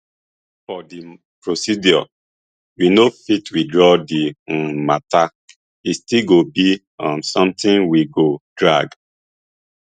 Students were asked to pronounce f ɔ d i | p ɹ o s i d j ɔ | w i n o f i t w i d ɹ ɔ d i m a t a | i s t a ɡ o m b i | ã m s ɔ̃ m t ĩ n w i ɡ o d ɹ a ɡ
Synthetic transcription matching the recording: f ɔ d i | p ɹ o s i d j ɔ | w i n o f i t w i d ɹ ɔ d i m a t a | i s t i ɡ o b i | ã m s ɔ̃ m t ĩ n w i ɡ o d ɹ a ɡ